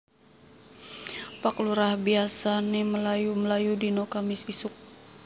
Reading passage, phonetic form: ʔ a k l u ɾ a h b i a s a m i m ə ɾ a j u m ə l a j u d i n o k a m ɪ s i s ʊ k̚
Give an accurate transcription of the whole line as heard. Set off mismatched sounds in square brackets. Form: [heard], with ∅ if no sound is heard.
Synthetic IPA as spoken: [p] a k l u ɾ a h b i a s a [n] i m ə [l] a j u m ə l a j u d i n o k a m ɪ s i s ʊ k̚